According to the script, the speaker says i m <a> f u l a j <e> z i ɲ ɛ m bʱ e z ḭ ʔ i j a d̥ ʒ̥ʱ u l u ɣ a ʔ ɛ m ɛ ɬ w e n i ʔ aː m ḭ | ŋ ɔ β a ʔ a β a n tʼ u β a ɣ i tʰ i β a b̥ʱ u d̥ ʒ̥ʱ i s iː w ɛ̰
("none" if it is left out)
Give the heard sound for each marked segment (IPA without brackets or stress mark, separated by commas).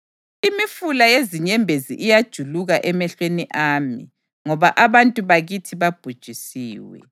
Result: i, e